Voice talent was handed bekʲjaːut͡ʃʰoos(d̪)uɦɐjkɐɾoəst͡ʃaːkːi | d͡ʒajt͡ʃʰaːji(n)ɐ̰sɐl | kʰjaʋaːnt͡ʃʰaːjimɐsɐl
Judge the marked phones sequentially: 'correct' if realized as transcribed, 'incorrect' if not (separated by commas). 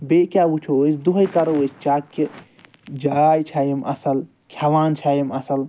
correct, incorrect